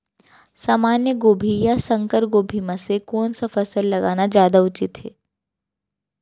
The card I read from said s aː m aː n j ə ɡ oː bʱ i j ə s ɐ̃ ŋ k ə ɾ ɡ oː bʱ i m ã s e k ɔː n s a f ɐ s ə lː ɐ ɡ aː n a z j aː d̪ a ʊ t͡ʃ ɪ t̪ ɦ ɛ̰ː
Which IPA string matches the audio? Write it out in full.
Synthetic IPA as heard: s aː m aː n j ə ɡ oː bʱ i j a s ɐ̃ ŋ k ə ɾ ɡ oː bʱ i m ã s e k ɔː n s a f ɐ s ə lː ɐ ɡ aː n a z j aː d̪ a ʊ t͡ʃ ɪ t̪ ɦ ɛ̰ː